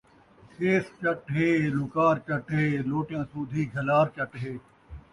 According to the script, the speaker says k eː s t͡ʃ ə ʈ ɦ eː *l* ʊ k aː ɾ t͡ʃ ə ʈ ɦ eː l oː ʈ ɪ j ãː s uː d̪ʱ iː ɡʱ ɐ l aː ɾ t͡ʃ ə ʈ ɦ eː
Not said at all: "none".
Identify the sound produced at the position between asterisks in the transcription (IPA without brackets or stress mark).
l